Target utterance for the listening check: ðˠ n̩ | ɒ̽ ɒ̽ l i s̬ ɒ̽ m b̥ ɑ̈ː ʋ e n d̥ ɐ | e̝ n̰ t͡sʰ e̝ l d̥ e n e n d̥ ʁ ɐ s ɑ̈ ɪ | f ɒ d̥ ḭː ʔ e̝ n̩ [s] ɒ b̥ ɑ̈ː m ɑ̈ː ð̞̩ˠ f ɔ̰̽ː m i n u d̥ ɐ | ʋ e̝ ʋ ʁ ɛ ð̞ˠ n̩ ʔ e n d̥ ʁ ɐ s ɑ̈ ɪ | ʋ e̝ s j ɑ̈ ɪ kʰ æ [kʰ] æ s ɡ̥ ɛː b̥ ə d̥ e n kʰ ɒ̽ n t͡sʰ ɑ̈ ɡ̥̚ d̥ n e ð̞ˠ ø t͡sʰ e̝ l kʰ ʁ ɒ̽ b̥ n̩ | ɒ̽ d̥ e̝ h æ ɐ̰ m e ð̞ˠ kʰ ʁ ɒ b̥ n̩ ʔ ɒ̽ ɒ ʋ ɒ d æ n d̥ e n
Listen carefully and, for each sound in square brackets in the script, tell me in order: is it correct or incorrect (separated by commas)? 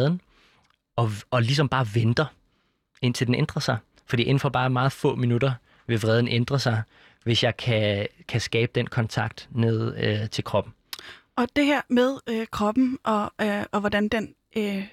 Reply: incorrect, correct